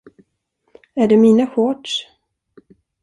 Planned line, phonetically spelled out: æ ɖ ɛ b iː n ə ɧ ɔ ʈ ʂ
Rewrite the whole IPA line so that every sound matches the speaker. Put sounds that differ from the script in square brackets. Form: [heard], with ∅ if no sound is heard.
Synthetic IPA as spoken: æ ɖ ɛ [m] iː n [a] ɧ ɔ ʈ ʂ